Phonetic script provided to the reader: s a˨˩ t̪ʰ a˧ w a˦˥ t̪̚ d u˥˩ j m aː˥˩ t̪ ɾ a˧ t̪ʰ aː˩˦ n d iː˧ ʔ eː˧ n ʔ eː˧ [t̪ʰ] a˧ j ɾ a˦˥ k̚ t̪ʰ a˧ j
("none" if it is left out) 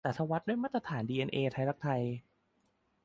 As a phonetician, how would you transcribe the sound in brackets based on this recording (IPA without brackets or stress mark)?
t̪ʰ